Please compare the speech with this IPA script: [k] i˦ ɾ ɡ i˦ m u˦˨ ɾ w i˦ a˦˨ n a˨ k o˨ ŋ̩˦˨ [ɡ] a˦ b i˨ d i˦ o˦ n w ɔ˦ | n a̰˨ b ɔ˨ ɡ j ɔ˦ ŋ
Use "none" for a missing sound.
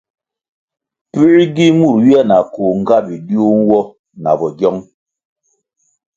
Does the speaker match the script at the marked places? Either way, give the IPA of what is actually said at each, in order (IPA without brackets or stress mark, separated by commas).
p, ɡ